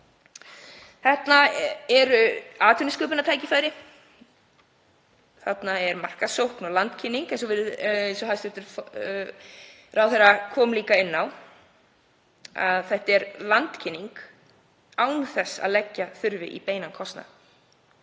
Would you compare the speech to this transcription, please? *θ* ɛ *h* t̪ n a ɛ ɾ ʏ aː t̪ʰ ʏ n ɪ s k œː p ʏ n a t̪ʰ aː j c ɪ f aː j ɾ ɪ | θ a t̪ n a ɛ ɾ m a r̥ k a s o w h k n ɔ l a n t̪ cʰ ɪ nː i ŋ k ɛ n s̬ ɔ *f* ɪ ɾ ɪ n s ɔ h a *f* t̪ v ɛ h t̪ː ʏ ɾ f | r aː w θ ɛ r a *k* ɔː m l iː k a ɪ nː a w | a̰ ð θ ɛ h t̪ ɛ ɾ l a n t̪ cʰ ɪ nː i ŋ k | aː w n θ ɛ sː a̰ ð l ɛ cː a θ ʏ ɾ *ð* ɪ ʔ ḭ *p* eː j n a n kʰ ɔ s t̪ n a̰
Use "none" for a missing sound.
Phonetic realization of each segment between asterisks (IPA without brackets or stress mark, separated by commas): θ, h, v, s, kʰ, v, p